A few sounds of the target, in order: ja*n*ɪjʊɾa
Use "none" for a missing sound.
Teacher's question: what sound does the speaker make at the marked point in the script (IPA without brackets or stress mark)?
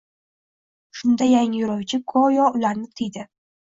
ŋ